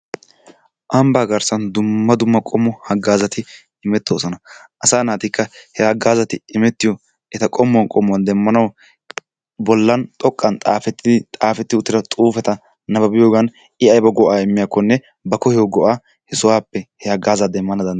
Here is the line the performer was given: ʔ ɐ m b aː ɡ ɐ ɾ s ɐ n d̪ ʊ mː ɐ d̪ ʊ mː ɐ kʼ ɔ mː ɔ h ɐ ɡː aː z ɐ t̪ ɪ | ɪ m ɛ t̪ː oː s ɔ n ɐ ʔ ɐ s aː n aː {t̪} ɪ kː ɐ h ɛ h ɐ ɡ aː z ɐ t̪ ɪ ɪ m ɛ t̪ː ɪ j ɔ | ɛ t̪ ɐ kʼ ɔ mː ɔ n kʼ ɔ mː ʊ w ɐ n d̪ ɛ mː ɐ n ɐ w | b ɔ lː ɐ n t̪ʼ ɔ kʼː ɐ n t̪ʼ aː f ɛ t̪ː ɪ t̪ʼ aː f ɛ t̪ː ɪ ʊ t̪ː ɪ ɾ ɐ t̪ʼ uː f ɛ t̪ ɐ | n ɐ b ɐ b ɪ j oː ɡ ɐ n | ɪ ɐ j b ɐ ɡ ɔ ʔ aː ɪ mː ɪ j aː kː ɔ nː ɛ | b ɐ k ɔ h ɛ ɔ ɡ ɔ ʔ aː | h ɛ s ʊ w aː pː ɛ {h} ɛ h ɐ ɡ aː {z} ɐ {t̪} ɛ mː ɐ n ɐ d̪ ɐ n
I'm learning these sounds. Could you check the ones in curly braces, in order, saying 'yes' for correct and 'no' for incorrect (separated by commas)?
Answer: yes, yes, yes, no